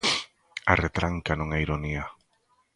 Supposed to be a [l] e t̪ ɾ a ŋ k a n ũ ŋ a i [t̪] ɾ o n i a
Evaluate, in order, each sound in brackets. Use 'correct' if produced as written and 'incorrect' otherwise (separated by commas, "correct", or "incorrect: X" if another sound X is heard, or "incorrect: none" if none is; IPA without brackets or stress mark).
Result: incorrect: r, incorrect: none